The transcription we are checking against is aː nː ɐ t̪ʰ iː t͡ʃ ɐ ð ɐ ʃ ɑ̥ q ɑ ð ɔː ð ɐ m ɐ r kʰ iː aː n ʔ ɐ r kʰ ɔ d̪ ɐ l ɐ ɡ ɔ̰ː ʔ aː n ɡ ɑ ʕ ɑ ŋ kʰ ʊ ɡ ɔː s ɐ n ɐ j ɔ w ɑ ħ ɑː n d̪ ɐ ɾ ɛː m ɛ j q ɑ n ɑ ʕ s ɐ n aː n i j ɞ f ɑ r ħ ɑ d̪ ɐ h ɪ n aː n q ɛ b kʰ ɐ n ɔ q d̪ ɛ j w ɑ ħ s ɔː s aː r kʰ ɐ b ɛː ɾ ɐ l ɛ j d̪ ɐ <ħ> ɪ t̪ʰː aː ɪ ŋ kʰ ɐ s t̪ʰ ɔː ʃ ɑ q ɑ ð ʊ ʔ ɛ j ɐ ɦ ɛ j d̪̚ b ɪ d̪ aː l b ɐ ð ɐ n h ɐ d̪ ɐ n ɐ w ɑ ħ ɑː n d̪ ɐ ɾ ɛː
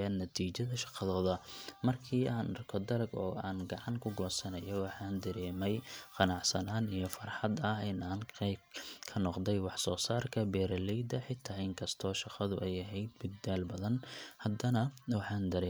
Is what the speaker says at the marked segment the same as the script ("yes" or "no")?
yes